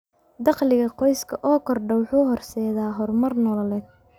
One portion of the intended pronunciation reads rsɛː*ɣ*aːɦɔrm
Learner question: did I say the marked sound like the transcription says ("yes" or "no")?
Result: no